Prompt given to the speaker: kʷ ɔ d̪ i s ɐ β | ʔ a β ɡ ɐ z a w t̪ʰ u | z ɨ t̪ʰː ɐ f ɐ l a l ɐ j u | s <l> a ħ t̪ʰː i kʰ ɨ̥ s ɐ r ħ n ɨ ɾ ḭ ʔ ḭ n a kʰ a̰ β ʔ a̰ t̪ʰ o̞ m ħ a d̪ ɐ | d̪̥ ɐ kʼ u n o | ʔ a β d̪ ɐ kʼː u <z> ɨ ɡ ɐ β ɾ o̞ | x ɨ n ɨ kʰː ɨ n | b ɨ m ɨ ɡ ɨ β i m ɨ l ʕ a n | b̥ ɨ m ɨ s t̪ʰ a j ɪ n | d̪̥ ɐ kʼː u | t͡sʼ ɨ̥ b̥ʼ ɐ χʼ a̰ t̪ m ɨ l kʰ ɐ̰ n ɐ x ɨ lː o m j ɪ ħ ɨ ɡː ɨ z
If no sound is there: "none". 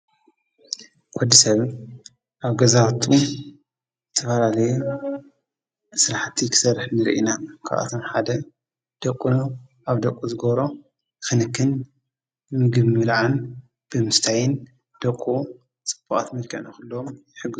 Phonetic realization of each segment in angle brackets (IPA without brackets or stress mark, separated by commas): ɾ, z